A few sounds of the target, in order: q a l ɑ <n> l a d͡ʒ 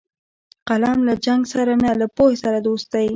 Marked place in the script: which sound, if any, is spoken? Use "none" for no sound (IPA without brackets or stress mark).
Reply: m